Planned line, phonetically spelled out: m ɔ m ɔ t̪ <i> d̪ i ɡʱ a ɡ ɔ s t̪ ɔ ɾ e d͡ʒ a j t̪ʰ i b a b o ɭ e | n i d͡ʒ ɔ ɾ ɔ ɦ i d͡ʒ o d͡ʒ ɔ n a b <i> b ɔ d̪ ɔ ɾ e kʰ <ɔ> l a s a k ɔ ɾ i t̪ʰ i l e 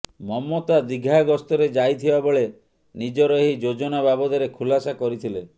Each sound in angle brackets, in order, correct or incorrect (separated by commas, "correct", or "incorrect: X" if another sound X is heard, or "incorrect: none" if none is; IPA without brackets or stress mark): incorrect: a, incorrect: a, incorrect: u